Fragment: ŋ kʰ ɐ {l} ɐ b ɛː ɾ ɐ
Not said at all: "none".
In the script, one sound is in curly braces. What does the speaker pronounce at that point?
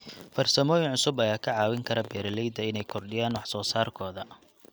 ɾ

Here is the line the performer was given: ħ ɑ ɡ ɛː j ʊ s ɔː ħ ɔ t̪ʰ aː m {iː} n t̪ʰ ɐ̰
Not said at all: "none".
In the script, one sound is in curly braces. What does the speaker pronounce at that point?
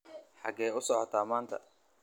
aː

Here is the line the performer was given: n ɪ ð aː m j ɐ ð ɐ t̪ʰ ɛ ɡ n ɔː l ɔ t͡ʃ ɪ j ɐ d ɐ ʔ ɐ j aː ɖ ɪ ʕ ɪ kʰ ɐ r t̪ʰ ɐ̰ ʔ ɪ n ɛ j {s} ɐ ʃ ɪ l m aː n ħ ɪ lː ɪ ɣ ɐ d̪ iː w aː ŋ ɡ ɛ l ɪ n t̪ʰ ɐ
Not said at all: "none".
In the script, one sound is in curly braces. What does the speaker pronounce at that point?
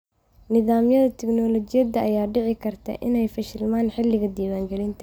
f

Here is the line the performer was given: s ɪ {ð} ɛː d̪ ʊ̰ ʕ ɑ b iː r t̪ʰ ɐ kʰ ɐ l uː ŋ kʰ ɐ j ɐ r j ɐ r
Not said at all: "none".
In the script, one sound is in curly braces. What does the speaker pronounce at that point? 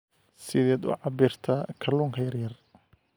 ð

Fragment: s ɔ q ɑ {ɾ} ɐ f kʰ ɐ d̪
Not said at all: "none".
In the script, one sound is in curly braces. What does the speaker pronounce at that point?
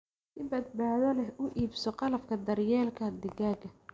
l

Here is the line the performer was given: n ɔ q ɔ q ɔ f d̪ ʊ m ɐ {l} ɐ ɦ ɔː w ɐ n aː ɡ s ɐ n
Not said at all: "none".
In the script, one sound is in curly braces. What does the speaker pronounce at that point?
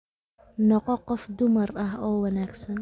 r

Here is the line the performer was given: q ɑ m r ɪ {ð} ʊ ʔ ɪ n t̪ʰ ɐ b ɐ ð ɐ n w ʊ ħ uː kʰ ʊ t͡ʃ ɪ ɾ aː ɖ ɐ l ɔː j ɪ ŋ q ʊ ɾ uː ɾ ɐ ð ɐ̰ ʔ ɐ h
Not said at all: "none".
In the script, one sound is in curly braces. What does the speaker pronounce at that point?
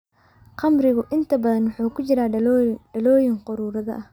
ɣ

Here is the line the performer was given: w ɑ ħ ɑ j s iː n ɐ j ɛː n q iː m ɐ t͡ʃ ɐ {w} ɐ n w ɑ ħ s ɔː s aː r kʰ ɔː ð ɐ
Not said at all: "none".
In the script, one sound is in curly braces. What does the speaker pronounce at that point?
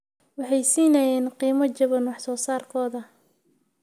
β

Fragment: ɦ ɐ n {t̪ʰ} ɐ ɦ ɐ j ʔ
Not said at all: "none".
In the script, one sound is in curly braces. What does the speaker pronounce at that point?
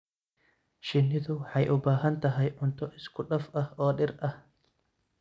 t̪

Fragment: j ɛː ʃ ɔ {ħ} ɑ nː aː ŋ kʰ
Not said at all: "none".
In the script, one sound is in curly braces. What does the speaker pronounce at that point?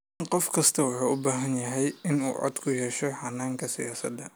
ħ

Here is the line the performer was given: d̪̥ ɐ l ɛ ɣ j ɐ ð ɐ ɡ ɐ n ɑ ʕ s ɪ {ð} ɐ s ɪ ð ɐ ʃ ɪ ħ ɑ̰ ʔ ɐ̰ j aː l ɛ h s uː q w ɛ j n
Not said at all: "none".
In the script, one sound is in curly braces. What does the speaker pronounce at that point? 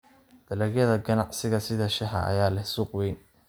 ɣ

